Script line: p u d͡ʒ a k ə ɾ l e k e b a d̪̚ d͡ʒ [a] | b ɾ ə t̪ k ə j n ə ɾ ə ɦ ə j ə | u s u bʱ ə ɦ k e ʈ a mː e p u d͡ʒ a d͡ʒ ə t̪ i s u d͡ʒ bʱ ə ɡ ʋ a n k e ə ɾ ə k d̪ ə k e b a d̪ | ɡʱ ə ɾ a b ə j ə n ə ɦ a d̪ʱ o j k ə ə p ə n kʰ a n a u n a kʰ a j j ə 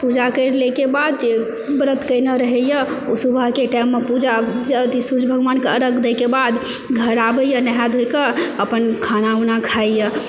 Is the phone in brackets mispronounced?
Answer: yes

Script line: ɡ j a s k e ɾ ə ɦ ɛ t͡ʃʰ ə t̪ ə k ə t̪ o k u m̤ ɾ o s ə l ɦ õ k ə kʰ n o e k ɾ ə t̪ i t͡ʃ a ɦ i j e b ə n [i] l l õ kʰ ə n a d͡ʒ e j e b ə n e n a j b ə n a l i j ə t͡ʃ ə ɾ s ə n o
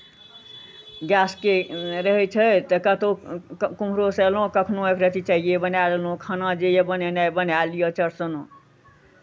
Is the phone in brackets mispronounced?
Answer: yes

